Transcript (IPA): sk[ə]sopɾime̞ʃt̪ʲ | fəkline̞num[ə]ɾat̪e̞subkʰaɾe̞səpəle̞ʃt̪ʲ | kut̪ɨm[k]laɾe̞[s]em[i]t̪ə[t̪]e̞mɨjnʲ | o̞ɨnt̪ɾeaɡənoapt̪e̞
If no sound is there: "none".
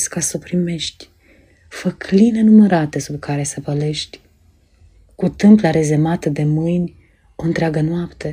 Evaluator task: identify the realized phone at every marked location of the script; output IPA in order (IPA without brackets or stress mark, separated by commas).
a, ə, p, z, a, d̪